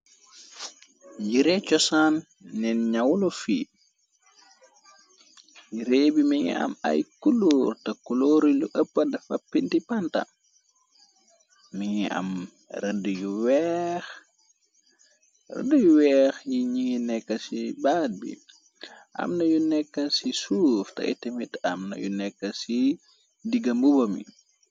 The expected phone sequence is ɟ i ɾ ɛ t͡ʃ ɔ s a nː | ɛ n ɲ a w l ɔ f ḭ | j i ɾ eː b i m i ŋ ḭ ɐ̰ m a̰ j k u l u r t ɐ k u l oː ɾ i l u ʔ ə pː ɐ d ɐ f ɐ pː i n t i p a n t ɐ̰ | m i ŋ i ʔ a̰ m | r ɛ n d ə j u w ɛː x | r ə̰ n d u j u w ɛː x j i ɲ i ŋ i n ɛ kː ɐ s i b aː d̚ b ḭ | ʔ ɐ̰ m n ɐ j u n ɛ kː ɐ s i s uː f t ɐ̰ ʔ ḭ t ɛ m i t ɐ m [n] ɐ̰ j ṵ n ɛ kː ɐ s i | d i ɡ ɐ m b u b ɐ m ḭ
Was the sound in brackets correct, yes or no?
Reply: yes